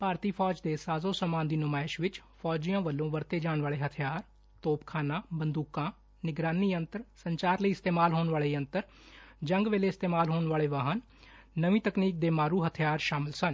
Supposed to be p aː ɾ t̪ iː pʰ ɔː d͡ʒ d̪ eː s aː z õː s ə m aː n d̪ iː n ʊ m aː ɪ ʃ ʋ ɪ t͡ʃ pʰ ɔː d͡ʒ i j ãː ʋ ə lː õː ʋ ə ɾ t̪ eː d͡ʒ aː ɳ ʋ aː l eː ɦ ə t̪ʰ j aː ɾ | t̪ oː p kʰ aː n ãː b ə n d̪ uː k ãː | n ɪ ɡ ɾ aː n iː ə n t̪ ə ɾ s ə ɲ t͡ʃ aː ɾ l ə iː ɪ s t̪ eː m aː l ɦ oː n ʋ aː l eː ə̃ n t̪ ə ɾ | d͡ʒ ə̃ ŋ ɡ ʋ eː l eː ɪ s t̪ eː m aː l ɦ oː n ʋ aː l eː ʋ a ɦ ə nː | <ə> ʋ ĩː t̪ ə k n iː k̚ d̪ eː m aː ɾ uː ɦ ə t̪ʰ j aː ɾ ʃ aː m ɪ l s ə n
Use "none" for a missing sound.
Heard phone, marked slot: ə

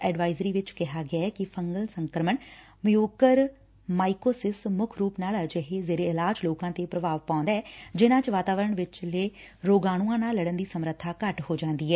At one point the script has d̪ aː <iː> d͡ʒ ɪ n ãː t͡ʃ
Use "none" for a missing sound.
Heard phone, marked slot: ɛː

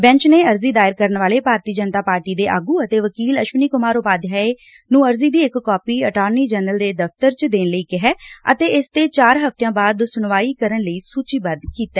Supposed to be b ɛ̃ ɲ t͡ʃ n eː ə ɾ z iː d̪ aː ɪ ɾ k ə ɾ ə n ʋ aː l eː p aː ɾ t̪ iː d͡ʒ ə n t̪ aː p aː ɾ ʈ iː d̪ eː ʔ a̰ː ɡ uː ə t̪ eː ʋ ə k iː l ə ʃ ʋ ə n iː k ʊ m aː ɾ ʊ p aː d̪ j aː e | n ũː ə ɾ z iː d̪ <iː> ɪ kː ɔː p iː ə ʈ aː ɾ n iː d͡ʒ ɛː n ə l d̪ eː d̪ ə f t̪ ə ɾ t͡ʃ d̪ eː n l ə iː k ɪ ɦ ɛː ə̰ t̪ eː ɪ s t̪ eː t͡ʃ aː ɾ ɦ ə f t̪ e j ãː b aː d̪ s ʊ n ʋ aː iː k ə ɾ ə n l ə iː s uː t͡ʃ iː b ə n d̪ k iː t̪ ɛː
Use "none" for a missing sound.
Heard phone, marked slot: iː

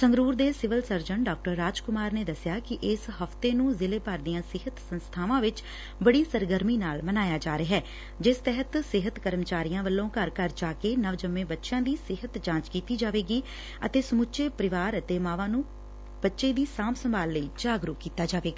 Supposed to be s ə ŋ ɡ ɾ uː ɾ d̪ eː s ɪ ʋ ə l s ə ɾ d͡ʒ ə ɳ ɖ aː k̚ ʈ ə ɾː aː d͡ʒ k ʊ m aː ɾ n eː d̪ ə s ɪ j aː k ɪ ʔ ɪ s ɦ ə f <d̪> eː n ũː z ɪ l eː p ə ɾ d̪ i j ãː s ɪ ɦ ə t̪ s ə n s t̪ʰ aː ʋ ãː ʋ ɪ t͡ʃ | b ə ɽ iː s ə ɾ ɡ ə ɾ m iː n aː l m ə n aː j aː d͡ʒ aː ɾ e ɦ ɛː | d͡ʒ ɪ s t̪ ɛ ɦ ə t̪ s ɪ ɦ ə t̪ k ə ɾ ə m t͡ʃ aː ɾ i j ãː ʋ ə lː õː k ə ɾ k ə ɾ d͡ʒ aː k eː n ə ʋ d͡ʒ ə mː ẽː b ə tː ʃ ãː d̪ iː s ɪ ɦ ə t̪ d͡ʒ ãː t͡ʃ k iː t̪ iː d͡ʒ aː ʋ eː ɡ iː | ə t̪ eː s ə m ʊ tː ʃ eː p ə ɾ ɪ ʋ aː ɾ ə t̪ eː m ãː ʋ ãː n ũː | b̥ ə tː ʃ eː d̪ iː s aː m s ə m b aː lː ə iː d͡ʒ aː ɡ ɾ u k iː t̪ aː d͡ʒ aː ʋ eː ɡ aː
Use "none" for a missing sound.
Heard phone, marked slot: t̪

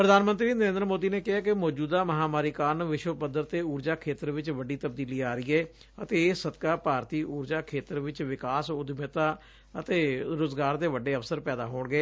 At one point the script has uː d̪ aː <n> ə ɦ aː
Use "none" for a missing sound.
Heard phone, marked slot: m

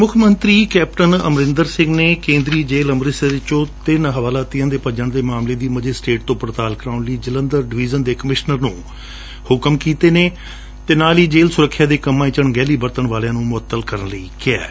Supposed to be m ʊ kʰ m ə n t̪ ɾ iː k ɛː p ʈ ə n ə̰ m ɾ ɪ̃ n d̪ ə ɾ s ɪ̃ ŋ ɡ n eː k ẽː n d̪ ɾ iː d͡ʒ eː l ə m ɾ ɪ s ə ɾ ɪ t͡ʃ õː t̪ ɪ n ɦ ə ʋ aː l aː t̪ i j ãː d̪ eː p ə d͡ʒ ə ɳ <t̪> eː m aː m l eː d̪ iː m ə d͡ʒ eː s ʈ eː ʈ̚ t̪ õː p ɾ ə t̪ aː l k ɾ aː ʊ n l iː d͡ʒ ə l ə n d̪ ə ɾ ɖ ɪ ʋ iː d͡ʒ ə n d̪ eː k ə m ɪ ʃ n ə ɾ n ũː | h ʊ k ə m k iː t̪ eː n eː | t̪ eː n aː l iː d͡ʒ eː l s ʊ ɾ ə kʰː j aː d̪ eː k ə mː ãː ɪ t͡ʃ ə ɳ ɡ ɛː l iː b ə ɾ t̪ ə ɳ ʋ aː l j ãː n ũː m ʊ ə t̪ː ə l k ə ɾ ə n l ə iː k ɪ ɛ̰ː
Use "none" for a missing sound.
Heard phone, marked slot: d̪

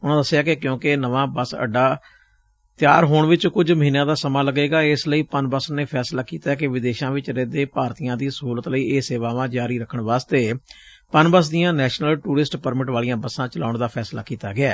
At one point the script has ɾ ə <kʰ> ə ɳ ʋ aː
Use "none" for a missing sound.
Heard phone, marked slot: kʰ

